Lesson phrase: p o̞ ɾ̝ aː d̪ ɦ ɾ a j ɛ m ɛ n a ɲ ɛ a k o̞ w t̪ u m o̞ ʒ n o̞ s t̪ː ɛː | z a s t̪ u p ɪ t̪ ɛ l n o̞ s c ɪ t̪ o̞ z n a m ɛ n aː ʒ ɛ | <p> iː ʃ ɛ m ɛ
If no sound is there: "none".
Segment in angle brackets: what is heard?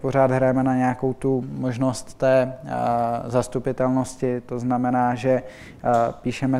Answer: p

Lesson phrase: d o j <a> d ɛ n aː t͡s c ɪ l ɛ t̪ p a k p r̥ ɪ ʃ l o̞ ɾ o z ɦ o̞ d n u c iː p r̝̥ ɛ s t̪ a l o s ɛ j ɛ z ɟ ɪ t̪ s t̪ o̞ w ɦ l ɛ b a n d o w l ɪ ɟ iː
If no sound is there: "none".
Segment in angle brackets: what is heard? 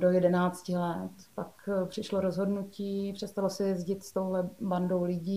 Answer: ɛ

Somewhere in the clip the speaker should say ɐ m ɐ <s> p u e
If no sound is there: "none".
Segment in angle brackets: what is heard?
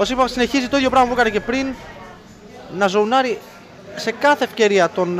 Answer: none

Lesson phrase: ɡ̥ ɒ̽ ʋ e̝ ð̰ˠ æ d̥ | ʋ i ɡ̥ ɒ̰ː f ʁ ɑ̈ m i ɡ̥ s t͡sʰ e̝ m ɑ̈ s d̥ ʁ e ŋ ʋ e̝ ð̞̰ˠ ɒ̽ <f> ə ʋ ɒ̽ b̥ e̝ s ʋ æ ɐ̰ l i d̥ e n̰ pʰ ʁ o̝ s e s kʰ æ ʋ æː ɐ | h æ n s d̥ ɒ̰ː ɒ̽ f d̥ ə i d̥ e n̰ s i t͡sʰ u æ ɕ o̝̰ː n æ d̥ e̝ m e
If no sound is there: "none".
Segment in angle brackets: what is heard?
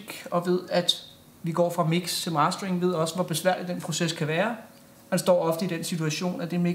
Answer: s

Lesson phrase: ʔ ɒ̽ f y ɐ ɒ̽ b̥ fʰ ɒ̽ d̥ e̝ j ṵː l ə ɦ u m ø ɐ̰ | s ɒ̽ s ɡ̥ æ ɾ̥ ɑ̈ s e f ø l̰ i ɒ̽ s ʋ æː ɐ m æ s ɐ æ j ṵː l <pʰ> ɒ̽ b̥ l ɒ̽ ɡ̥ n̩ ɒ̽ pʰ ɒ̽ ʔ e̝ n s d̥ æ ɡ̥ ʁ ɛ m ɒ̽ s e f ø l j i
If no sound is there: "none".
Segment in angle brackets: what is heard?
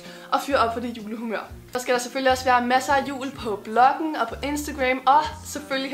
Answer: pʰ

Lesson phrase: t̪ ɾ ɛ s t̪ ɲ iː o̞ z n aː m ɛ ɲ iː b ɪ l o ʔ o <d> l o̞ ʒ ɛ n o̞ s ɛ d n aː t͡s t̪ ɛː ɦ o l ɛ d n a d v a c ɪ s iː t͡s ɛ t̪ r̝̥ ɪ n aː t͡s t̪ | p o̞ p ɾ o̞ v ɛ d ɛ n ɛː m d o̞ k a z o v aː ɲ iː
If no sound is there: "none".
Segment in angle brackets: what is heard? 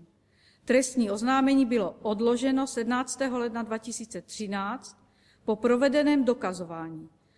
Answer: d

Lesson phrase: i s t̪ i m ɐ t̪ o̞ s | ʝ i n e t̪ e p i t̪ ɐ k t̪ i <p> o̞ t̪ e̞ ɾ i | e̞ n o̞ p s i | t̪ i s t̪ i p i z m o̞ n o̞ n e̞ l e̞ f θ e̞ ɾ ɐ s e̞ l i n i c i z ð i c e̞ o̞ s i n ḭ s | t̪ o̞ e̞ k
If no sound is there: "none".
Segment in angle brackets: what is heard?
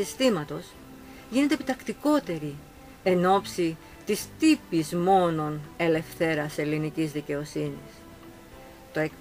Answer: k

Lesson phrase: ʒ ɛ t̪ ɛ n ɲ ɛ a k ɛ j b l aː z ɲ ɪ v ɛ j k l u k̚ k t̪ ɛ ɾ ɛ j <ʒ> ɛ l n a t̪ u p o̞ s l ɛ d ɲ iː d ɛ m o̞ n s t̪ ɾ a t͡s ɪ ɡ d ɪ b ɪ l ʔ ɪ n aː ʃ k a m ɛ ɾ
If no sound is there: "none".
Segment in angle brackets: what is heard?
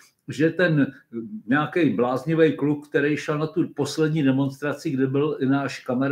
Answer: ʃ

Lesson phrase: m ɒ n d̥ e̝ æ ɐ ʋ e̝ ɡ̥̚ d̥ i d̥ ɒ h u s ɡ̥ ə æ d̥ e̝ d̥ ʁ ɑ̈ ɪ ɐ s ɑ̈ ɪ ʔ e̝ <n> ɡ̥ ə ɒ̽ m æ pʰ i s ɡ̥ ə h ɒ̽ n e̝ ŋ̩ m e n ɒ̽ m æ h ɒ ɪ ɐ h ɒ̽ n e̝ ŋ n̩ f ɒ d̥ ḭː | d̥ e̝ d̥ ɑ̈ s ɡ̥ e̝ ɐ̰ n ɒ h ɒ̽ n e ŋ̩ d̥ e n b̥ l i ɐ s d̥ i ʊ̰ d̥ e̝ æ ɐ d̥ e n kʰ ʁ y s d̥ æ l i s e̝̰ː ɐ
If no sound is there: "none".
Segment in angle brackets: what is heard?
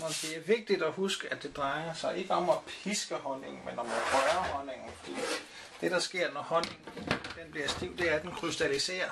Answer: none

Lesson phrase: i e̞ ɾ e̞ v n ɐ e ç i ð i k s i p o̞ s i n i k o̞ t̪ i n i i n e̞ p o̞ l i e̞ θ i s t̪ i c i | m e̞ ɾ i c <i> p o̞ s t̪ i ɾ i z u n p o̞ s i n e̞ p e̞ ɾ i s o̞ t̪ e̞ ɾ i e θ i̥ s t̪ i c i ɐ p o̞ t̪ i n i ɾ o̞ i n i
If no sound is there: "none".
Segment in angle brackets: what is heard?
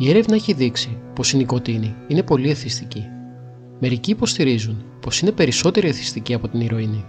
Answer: iː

